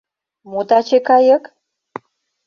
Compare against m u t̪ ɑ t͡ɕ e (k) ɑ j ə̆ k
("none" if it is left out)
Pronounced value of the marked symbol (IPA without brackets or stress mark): k